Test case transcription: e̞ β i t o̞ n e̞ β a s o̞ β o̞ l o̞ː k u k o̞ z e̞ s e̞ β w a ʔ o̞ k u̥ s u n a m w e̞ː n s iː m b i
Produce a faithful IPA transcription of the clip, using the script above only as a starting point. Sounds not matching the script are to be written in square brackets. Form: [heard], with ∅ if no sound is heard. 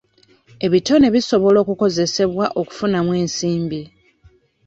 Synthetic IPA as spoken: e̞ β i t o̞ n e̞ β [i] s o̞ β o̞ l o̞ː k u k o̞ z e̞ s e̞ β w a ʔ o̞ k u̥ [f] u n a m w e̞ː n s iː m b i